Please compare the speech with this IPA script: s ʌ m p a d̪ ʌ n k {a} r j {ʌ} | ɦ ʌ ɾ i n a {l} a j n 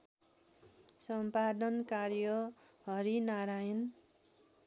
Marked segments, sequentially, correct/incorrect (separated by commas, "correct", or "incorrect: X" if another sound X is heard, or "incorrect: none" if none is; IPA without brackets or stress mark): correct, correct, incorrect: ɾ